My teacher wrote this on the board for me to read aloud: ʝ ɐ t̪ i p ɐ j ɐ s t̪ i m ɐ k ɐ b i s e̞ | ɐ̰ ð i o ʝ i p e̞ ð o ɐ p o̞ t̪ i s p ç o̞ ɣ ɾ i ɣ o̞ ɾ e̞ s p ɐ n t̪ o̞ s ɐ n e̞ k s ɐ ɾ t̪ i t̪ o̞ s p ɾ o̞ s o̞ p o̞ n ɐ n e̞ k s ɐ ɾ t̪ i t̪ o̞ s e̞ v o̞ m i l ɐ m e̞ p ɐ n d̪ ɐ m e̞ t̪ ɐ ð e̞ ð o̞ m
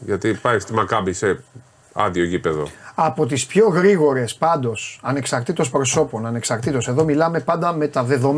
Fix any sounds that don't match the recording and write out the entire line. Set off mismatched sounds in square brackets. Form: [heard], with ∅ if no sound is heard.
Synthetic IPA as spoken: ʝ ɐ t̪ i p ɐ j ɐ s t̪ i m ɐ k ɐ b i s e̞ | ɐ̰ ð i o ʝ i p e̞ ð o ɐ p o̞ t̪ i s p ç o̞ ɣ ɾ i ɣ o̞ ɾ e̞ s p ɐ n [d̪] o̞ s ɐ n e̞ k s ɐ ɾ t̪ i t̪ o̞ s p ɾ o̞ s o̞ p o̞ n ɐ n e̞ k s ɐ ɾ t̪ i t̪ o̞ s e̞ [ð] o̞ m i l ɐ m e̞ p ɐ n d̪ ɐ m e̞ t̪ ɐ ð e̞ ð o̞ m